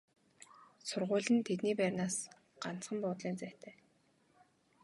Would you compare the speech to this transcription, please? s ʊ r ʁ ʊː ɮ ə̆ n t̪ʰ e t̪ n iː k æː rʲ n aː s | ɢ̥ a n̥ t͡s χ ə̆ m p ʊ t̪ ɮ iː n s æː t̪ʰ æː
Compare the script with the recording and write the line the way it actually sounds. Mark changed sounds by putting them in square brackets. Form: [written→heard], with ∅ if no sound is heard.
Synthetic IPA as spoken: s ʊ r ʁ ʊː ɮ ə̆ n t̪ʰ e t̪ n iː [k→p] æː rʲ n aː s | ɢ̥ a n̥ t͡s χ ə̆ m p [ʊ→ʊː] t̪ ɮ iː n [s→t͡s] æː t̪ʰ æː

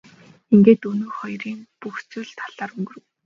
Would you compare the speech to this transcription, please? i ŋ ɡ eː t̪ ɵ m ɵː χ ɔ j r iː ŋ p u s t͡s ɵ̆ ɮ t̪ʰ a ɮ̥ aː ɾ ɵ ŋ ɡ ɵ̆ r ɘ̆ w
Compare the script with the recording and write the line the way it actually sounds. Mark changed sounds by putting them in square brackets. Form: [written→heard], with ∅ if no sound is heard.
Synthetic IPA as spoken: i ŋ ɡ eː t̪ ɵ [m→n] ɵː χ ɔ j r iː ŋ p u [s→x] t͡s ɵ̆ ɮ t̪ʰ a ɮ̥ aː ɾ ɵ ŋ ɡ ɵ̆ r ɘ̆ w

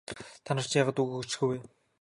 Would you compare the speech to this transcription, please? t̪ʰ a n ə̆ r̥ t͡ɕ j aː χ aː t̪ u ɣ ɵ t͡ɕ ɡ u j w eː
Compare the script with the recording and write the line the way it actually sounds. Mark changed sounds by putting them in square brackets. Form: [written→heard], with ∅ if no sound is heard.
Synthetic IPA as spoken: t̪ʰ a n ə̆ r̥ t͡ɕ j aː [χ→ʁ] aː t̪ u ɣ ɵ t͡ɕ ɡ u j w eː

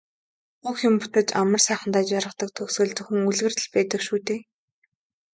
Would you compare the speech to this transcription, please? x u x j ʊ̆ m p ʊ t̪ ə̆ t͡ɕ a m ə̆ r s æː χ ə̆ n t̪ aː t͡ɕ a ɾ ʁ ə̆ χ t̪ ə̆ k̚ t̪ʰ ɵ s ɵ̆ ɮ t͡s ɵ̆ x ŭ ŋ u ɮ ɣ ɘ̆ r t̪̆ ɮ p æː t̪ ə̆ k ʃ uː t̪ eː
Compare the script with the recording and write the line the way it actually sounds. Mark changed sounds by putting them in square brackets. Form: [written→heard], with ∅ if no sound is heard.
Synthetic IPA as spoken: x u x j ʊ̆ m p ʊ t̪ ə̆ t͡ɕ a m ə̆ r s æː χ ə̆ n t̪ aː t͡ɕ a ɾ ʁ ə̆ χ t̪ ə̆ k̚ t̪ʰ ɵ s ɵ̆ ɮ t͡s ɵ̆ x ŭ ŋ u ɮ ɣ ɘ̆ r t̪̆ ɮ p æː t̪ ə̆ k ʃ uː t̪ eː

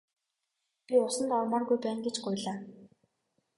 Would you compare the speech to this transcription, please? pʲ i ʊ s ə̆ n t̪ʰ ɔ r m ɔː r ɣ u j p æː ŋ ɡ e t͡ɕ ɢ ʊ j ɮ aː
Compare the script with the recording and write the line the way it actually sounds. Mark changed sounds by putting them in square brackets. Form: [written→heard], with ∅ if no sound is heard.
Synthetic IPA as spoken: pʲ i ʊ s ə̆ n [t̪ʰ→t̪] ɔ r m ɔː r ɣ u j p æː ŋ ɡ e t͡ɕ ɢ ʊ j ɮ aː

